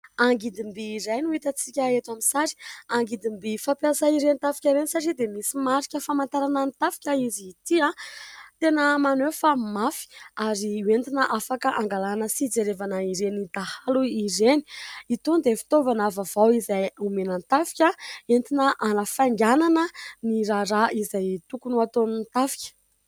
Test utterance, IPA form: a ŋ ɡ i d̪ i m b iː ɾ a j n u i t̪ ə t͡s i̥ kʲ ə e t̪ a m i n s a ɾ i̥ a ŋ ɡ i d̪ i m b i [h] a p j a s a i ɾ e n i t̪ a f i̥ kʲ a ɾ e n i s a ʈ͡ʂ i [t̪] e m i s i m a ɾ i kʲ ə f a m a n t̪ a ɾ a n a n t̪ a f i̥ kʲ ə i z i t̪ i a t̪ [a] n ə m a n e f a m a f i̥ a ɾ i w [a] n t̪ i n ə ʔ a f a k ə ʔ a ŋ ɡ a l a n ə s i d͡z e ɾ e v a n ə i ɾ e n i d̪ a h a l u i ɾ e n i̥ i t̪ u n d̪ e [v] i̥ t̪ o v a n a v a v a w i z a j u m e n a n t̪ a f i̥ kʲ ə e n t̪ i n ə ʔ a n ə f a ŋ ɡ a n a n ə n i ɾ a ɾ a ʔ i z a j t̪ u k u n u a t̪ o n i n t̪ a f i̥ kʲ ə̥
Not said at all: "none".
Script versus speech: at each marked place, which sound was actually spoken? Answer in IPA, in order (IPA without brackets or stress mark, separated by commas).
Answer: f, d̪, e, e, f